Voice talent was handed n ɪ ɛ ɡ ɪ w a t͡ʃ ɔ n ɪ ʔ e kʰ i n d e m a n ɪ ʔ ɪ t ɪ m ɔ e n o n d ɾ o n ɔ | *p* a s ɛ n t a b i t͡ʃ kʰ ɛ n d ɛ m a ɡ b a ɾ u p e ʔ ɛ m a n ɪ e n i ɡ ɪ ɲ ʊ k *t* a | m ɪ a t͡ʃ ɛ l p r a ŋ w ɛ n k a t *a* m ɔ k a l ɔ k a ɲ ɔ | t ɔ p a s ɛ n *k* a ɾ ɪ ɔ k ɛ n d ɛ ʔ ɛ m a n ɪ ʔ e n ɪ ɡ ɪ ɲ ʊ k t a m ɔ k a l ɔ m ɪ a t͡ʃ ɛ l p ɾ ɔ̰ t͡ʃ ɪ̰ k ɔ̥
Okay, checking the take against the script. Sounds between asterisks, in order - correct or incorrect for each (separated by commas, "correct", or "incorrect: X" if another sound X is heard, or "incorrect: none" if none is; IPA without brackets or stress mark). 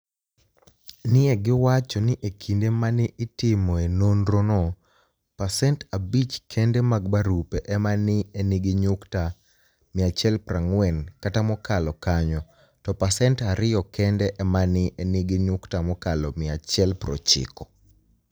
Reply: correct, correct, correct, incorrect: t